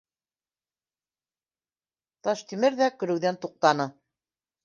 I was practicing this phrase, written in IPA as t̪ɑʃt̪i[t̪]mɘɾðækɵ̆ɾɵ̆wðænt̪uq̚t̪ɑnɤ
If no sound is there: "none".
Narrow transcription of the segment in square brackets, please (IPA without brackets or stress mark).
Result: none